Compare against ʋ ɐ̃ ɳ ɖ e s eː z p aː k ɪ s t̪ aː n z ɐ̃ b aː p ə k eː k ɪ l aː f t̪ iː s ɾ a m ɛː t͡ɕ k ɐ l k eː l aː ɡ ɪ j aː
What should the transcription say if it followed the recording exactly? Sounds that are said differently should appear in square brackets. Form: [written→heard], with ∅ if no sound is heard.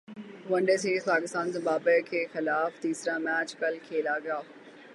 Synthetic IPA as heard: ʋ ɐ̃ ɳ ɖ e s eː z p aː k ɪ s t̪ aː n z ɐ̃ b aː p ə [k→kʰ] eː [k→x] ɪ l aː f t̪ iː s ɾ a m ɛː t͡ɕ k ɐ l [k→kʰ] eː l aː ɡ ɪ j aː